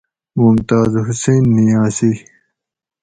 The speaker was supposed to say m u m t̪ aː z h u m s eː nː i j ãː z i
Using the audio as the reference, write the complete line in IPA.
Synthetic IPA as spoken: m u m t̪ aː z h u s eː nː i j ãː s i